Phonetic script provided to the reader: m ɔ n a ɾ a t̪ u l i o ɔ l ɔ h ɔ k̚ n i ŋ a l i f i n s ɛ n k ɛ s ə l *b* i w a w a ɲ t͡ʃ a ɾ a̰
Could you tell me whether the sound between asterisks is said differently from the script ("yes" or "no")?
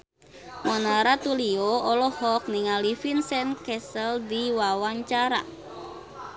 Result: yes